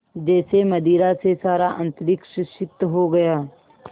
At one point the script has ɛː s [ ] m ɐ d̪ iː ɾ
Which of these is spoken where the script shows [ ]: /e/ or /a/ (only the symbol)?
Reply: e